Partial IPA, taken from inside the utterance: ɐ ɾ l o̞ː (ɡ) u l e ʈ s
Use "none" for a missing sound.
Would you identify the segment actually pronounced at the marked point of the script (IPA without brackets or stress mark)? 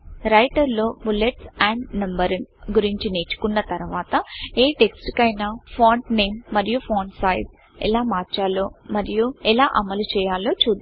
b